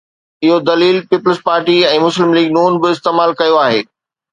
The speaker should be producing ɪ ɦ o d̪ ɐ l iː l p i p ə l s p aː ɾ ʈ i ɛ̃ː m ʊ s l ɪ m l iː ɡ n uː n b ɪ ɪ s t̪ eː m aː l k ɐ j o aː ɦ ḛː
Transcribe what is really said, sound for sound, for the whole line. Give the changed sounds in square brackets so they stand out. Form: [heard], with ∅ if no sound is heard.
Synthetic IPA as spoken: ɪ ɦ o d̪ ɐ l iː l p [iː] p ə l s p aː ɾ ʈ i ɛ̃ː m ʊ s l ɪ m l iː ɡ n uː n b ɪ ɪ s t̪ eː m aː l k ɐ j o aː ɦ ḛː